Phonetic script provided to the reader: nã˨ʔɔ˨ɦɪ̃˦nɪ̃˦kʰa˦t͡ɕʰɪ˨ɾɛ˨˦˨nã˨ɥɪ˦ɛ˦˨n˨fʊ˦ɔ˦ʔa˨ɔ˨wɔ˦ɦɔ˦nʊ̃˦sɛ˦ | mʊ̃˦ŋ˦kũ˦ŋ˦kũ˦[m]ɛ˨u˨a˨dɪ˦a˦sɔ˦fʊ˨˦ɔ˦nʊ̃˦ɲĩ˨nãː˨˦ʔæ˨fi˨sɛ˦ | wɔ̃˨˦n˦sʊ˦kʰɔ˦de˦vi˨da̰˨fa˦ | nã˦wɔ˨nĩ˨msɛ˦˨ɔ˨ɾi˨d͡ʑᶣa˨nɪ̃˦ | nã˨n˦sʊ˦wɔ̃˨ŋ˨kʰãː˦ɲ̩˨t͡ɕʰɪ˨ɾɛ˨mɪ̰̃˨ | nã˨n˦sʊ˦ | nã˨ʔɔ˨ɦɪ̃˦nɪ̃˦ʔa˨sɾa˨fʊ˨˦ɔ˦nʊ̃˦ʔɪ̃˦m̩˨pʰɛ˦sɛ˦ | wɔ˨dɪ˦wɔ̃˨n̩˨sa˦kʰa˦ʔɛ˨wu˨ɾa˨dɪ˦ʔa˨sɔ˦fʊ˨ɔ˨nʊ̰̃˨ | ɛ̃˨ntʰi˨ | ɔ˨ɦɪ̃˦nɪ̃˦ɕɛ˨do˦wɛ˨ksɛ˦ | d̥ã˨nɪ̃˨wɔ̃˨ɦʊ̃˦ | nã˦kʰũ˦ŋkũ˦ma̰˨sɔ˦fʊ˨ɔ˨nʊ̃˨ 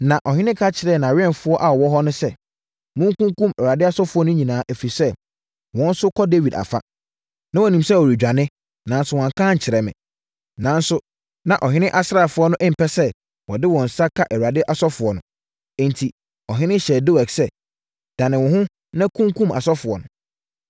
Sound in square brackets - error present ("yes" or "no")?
no